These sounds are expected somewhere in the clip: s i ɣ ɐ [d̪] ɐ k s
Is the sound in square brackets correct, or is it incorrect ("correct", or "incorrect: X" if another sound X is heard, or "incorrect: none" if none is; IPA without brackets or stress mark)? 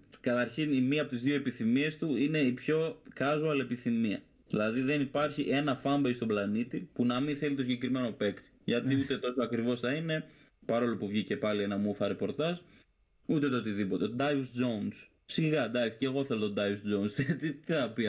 correct